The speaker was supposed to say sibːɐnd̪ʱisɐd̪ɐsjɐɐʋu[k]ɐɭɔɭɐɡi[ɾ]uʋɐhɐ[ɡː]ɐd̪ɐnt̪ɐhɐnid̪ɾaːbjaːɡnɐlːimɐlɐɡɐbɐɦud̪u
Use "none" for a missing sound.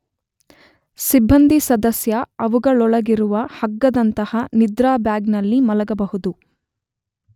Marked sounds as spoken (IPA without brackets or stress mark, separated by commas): ɡ, ɾ, ɡː